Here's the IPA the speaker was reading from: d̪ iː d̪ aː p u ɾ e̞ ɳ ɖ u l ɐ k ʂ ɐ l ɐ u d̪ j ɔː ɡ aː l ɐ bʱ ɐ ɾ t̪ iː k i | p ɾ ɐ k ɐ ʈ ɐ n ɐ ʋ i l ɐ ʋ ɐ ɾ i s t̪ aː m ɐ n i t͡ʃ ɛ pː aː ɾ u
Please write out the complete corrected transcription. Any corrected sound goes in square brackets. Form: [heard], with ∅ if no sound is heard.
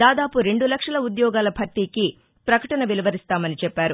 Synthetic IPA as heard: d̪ [aː] d̪ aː p u ɾ e̞ ɳ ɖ u l ɐ k ʂ ɐ l ɐ u d̪ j ɔː ɡ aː l ɐ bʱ ɐ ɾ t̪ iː k i | p ɾ ɐ k ɐ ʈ ɐ n ɐ ʋ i l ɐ ʋ ɐ ɾ i s t̪ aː m ɐ n i t͡ʃ ɛ pː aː ɾ u